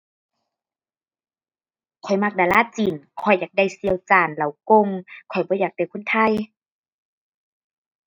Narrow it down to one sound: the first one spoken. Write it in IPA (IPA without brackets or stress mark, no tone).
kʰ